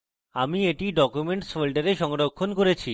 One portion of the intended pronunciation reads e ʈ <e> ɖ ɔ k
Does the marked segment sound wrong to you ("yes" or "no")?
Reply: yes